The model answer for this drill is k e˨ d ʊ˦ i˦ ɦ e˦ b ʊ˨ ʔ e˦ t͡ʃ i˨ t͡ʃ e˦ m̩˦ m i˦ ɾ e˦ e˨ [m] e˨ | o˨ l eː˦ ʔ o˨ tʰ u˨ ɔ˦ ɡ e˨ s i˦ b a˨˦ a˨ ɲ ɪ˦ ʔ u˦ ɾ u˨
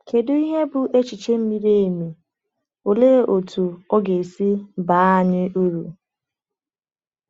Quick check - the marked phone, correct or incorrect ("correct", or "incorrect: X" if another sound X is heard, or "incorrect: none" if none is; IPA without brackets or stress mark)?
correct